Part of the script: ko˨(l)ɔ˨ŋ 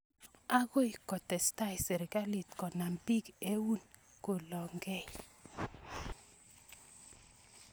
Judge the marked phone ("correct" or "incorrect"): correct